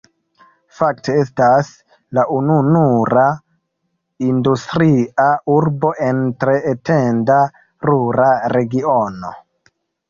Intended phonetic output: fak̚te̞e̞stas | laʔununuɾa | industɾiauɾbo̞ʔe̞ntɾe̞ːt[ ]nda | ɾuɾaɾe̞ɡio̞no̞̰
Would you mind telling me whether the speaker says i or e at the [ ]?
e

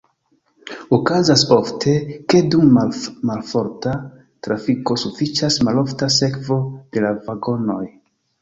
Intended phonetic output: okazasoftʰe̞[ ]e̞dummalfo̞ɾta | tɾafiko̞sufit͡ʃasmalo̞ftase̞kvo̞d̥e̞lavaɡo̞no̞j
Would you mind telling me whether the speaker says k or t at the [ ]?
k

